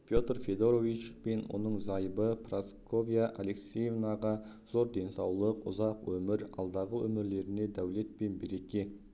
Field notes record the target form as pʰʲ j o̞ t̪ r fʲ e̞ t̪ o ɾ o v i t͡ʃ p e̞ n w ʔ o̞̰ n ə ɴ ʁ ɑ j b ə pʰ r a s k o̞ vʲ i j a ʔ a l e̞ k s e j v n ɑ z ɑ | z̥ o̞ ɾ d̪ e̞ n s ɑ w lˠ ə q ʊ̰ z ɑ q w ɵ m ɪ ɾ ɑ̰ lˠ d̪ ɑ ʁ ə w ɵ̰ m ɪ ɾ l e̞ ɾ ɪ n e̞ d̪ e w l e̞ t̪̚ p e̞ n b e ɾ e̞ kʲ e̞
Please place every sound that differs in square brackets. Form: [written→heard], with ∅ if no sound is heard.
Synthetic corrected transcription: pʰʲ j o̞ t̪ r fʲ e̞ [t̪→d̪] o ɾ o v i t͡ʃ p e̞ n w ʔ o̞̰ n ə ɴ [ʁ→z] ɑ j b ə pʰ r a s k o̞ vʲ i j a ʔ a l e̞ k s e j v n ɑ [z→ʁ] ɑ | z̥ o̞ ɾ d̪ e̞ n s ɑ w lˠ ə q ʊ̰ z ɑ q w ɵ m ɪ ɾ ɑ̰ lˠ d̪ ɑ ʁ ə w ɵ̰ m ɪ ɾ l e̞ ɾ ɪ n e̞ d̪ [e→æ] w l e̞ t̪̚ p e̞ n b e ɾ e̞ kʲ e̞